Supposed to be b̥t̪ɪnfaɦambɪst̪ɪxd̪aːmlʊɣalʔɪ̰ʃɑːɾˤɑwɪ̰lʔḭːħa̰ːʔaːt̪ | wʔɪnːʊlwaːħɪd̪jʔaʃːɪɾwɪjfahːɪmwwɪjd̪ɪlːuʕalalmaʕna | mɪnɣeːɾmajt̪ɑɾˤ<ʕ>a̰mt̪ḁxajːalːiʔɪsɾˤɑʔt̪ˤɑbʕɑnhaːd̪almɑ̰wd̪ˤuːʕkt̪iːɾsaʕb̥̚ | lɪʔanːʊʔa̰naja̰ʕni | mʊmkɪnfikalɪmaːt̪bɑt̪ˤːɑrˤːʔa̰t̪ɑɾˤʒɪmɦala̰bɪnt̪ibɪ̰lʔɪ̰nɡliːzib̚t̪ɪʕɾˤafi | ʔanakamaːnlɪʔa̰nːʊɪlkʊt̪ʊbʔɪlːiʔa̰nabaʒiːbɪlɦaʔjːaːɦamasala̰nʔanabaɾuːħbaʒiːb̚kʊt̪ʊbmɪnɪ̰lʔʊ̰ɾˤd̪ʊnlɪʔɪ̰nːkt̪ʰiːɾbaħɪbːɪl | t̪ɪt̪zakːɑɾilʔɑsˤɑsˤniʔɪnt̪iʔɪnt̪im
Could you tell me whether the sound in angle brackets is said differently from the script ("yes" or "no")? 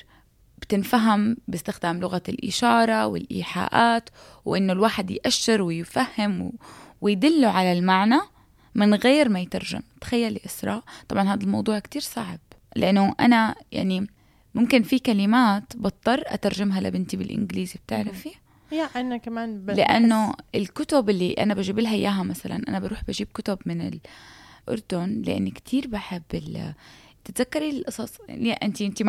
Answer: yes